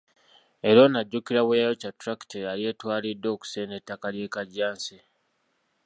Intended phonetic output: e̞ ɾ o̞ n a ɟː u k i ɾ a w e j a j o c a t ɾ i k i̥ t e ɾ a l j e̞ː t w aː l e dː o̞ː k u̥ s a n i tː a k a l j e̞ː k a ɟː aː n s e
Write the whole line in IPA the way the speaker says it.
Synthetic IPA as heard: e̞ ɾ o̞ n a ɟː u k i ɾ a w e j a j o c a t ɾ a k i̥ t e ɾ a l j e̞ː t w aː l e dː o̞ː k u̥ s e n e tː a k a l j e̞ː k a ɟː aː n s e